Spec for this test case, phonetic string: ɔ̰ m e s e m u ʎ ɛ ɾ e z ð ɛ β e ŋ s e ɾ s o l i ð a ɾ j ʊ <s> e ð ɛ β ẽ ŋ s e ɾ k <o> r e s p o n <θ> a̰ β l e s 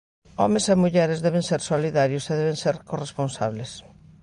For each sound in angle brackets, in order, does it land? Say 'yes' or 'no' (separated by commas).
yes, yes, no